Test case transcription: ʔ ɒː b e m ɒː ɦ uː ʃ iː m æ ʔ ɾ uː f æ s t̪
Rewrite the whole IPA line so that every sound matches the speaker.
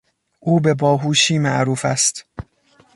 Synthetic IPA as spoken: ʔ uː b e b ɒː ɦ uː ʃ iː m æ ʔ ɾ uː f æ s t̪